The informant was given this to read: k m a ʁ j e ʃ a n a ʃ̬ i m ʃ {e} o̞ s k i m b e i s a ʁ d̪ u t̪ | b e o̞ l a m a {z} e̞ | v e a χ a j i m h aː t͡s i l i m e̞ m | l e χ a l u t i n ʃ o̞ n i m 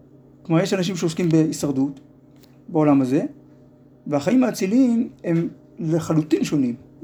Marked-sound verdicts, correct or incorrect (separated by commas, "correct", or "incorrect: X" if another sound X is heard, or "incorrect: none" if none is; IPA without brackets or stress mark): correct, correct